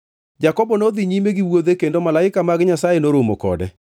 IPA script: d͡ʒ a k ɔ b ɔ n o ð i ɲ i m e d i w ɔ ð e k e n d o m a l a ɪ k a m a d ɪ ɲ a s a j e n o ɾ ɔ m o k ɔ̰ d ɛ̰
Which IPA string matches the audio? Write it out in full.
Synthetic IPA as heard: d͡ʒ a k ɔ b ɔ n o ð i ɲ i m e ɡ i w o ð e k e n d o m a l a ɪ k a m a ɡ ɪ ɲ a s a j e n o ɾ o m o k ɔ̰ d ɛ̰